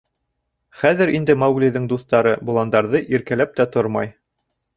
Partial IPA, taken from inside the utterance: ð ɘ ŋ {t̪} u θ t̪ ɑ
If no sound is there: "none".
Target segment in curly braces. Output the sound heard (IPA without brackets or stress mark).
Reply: d̪